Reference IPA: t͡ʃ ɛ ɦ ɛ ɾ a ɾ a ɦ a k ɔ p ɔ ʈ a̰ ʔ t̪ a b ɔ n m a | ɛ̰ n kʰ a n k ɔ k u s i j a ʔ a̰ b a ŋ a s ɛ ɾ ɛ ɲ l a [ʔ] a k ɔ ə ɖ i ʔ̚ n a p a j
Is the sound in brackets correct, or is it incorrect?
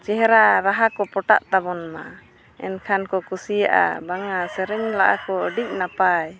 correct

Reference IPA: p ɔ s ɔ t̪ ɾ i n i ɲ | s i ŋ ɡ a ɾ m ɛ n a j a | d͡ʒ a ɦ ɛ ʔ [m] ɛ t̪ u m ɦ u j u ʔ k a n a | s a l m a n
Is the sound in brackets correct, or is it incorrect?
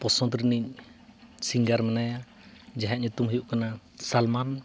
incorrect: ɲ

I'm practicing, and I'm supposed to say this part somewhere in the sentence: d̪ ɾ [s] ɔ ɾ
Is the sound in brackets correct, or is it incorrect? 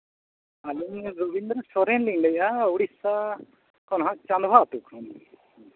correct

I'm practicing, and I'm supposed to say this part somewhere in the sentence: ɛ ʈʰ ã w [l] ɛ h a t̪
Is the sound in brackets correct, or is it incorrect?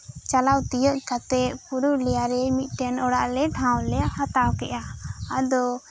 correct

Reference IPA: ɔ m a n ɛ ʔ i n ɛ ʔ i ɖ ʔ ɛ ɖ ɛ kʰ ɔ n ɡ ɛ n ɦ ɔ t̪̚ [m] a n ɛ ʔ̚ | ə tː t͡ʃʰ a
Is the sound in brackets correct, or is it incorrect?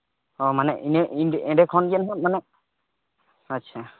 correct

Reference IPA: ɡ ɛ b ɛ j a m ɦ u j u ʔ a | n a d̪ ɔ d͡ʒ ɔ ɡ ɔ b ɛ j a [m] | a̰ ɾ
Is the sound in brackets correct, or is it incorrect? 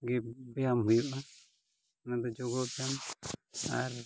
correct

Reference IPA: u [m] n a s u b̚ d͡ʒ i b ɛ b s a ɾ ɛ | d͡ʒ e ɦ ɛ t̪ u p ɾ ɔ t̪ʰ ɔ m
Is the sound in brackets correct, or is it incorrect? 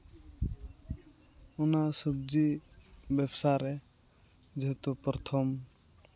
incorrect: none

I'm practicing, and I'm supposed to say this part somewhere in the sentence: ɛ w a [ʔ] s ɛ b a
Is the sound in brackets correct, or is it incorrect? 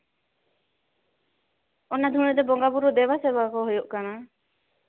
incorrect: none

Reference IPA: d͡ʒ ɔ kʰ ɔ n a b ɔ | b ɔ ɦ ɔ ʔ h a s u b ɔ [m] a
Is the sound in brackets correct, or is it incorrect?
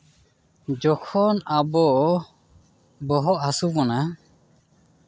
incorrect: n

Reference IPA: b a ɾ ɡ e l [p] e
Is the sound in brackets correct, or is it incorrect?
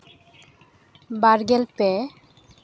correct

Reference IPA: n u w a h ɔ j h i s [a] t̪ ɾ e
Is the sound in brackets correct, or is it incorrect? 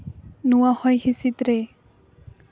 incorrect: i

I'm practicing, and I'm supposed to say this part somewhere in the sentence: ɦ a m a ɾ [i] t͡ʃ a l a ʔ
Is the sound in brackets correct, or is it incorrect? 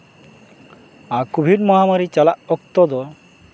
correct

